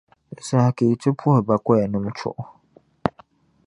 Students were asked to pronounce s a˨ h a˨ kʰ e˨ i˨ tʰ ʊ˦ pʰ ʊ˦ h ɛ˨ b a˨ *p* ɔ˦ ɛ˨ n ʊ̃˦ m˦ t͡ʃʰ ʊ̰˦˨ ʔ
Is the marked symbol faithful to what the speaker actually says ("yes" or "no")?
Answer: no